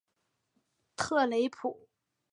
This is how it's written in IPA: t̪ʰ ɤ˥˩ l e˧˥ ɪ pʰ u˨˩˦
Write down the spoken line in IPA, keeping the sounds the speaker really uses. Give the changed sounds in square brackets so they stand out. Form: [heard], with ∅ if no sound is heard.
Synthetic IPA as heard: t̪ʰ ɤ˥˩ l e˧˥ ɪ pʰ u˨˩˦